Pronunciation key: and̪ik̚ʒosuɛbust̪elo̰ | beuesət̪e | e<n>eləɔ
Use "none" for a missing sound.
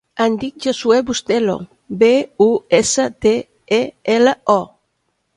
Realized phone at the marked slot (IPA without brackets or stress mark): none